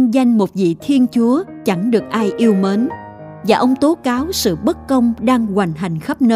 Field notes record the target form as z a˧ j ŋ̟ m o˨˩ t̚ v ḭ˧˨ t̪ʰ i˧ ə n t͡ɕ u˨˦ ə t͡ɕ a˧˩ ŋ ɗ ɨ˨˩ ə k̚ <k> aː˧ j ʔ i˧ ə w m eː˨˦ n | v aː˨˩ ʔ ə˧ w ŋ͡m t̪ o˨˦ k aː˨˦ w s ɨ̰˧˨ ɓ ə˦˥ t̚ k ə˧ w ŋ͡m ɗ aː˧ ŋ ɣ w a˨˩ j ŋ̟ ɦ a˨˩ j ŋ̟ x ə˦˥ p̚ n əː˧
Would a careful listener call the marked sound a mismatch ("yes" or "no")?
yes